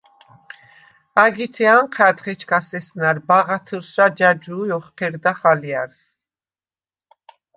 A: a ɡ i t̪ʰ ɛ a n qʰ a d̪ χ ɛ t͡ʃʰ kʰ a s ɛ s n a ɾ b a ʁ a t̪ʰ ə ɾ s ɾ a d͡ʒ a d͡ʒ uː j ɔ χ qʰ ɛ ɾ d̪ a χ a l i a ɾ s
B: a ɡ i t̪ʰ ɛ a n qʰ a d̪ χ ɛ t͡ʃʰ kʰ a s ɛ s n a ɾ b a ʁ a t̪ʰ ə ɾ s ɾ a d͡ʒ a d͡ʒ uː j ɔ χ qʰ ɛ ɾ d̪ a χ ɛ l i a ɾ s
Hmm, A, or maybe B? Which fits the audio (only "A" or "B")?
A